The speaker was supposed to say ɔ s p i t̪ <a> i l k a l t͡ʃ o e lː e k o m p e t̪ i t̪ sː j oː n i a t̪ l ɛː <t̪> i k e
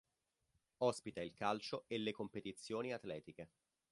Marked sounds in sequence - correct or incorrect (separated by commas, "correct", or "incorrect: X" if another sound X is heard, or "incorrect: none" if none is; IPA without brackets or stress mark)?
correct, correct